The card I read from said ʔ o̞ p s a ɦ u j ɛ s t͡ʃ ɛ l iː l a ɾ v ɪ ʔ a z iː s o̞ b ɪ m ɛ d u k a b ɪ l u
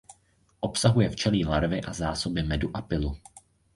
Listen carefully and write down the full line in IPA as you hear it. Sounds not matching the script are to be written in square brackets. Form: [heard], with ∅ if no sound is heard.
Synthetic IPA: ʔ o̞ p s a ɦ u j ɛ [f] t͡ʃ ɛ l iː l a ɾ v ɪ ʔ a z [aː] s o̞ b ɪ m ɛ d u [ʔ] a [p] ɪ l u